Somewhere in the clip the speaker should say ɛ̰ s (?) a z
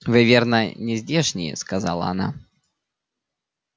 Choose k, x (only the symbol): k